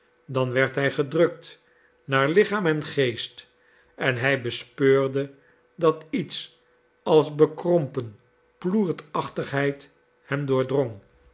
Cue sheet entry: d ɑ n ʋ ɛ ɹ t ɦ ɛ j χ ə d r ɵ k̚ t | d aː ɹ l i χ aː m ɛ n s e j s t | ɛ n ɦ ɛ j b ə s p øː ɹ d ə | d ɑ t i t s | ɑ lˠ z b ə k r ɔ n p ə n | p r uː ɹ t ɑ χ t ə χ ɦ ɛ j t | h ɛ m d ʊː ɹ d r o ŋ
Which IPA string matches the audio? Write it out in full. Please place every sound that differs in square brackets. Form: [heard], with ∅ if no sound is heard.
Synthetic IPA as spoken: d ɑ n ʋ ɛ ɹ t ɦ ɛ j χ ə d r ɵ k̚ t | [n] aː ɹ l [ɪ] χ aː m ɛ n [χ] e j s t | ɛ n ɦ ɛ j b ə s p øː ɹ d ə | d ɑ t i t s | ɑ lˠ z b ə k r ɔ [m] p ə n | p [l] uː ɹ t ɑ χ t ə χ ɦ ɛ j t | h ɛ m d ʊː ɹ d r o ŋ